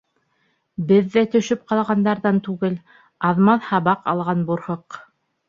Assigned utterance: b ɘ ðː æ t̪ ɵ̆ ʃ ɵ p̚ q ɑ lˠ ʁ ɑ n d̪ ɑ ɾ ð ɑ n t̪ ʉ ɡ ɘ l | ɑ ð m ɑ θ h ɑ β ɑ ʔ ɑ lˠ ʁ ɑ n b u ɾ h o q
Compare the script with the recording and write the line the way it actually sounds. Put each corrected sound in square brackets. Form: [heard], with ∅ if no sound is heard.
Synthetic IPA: b ɘ ðː æ t̪ ɵ̆ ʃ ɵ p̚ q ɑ lˠ ʁ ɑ n d̪ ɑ ɾ ð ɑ n t̪ ʉ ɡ ɘ l | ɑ ð m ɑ θ h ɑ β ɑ [q] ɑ lˠ ʁ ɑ n b u ɾ h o q